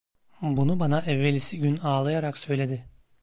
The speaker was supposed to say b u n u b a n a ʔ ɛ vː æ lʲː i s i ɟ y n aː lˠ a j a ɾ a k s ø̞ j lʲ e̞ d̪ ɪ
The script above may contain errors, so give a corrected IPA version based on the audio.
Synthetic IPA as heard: b u n u b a n a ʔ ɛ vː e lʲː i s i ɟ y n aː lˠ a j a ɾ a k s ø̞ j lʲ e̞ d̪ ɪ